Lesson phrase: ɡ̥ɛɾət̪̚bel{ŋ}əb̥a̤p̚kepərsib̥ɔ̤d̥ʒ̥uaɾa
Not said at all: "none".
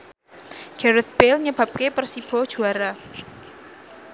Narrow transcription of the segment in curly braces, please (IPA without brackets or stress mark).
ɲ